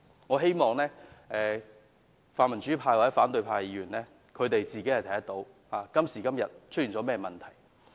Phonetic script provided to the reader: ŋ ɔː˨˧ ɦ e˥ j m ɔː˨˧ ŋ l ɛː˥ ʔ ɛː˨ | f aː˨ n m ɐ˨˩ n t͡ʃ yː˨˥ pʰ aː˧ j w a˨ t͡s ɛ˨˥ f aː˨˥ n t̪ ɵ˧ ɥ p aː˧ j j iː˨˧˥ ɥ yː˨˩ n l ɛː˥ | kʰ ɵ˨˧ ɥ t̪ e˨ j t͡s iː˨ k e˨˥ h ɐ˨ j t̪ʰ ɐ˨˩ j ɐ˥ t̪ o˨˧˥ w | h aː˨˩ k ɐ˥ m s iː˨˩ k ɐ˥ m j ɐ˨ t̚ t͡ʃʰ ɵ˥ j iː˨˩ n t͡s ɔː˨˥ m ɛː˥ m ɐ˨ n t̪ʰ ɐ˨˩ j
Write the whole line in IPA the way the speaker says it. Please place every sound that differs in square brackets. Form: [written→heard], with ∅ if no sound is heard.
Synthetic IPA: ŋ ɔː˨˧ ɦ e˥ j m ɔː˨˧ ŋ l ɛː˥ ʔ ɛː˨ | f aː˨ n m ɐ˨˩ n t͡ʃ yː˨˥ pʰ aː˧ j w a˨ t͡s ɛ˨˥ f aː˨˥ n t̪ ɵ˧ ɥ [p→pʰ] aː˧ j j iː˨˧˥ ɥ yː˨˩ n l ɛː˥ | kʰ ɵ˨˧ ɥ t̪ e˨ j t͡s iː˨ k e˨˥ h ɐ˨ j t̪ʰ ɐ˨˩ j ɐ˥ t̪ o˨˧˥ w | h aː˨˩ k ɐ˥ m s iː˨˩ k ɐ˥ m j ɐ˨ t̚ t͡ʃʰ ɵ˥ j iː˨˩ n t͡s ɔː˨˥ m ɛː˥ m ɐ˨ n t̪ʰ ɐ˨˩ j

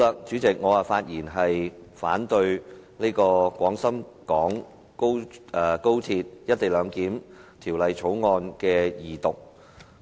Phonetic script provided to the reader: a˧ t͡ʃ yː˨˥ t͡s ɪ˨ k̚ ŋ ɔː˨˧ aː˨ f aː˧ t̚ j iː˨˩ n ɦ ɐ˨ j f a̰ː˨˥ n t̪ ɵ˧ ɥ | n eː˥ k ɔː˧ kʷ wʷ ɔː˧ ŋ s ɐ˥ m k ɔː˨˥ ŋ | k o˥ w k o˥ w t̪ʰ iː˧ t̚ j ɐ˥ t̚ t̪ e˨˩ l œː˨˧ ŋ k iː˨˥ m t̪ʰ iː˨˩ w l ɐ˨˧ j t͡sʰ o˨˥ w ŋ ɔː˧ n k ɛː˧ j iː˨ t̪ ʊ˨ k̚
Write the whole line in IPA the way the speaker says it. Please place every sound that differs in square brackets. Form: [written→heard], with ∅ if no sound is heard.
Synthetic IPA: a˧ t͡ʃ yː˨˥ t͡s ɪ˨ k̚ ŋ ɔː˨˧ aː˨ f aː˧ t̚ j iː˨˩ n ɦ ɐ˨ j f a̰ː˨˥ n t̪ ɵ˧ ɥ | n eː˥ k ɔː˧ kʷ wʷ [ɔː˧→ɔː˨˥] ŋ s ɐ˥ m k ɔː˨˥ ŋ | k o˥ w k o˥ w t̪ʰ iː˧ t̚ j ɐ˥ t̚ t̪ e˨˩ l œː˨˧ ŋ k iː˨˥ m t̪ʰ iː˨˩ w l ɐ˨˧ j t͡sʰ o˨˥ w ŋ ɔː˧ n k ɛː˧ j iː˨ t̪ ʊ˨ k̚

